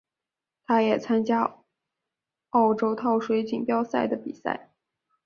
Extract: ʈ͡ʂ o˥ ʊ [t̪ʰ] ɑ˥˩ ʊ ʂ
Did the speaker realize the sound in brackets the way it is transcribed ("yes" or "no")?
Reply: yes